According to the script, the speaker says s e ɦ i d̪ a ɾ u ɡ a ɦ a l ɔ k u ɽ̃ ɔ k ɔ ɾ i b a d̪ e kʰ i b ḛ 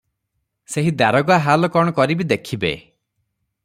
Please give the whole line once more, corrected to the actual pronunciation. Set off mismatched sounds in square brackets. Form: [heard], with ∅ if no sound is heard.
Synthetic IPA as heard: s e ɦ i d̪ a ɾ [ɔ] ɡ a ɦ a l ɔ k [ɔ] ɽ̃ ɔ k ɔ ɾ i b [i] d̪ e kʰ i b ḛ

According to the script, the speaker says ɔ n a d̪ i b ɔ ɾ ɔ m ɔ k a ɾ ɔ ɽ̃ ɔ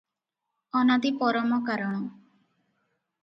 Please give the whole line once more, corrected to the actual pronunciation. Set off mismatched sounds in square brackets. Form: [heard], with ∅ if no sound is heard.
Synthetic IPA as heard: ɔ n a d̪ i [p] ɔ ɾ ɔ m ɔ k a ɾ ɔ ɽ̃ ɔ

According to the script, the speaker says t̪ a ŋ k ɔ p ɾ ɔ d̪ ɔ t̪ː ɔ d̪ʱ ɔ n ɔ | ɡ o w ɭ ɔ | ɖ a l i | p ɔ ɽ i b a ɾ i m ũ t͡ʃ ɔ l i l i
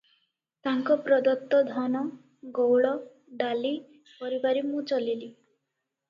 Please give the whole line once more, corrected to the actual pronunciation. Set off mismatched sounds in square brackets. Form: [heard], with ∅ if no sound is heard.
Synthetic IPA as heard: t̪ a ŋ k ɔ p ɾ ɔ d̪ ɔ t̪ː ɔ d̪ʱ ɔ n ɔ | ɡ o w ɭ ɔ | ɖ a l i | p ɔ [ɾ] i b a ɾ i m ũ t͡ʃ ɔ l i l i

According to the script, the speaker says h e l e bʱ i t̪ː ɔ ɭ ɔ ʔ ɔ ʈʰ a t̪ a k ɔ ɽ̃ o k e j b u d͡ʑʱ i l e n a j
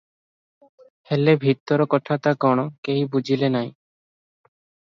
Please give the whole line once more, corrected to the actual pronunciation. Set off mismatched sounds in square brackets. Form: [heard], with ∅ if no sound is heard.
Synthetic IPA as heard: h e l e bʱ i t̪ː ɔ [ɾ] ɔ [k] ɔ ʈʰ a t̪ a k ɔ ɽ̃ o k e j b u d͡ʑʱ i l e n a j

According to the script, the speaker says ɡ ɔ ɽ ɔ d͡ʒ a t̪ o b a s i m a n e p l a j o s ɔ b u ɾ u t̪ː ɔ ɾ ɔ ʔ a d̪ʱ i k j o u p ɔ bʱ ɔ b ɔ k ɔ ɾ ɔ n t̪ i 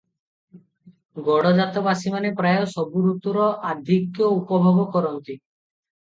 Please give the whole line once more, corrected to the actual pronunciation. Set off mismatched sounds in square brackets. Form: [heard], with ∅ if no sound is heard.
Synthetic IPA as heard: ɡ ɔ ɽ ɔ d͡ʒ a t̪ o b a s i m a n e p [ɾ] a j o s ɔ b u ɾ u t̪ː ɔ ɾ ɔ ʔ a d̪ʱ i k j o u p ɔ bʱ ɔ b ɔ k ɔ ɾ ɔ n t̪ i

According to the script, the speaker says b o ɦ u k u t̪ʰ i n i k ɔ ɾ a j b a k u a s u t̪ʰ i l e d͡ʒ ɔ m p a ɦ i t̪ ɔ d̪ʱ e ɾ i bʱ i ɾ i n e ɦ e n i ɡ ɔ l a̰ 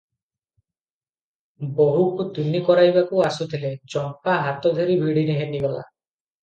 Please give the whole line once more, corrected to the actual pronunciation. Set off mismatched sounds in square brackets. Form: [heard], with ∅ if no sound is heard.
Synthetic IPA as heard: b o ɦ u k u [t̪] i n i k ɔ ɾ a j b a k u a s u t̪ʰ i l e d͡ʒ ɔ m p a ɦ [a] t̪ ɔ d̪ʱ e ɾ i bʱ i [ɽ] i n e ɦ e n i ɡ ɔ l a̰

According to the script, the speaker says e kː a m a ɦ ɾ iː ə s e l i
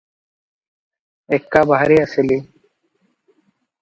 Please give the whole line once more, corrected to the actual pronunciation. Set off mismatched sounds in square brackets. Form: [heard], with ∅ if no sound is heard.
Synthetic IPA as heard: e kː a [b] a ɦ ɾ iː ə s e l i

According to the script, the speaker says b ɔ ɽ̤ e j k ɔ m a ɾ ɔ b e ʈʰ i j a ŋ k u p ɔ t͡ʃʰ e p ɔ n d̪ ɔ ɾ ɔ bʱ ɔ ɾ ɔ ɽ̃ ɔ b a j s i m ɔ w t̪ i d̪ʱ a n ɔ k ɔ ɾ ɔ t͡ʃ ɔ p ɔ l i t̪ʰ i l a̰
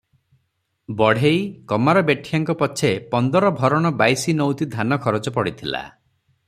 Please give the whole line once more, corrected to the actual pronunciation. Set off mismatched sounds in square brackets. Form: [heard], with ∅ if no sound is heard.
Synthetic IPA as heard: b ɔ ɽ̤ e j k ɔ m a ɾ ɔ b e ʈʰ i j a ŋ k [ɔ] p ɔ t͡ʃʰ e p ɔ n d̪ ɔ ɾ ɔ bʱ ɔ ɾ ɔ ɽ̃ ɔ b a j s i [n] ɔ w t̪ i d̪ʱ a n ɔ [kʰ] ɔ ɾ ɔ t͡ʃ ɔ p ɔ [ɽ] i t̪ʰ i l a̰

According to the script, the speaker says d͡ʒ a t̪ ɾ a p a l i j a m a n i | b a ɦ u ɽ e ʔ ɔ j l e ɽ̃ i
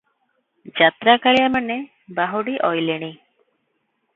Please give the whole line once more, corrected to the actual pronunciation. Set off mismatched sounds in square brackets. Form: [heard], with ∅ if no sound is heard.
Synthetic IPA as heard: d͡ʒ a t̪ ɾ a [k] a [ɭ] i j a m a n [e] | b a ɦ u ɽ [i] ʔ ɔ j l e ɽ̃ i

